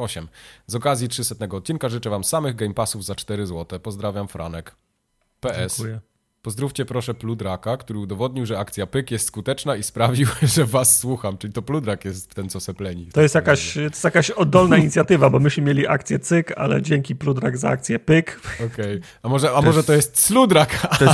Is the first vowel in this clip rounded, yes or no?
yes